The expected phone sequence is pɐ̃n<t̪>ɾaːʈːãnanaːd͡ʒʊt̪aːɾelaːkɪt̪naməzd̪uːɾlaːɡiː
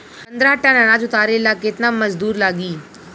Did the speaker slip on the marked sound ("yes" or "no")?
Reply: yes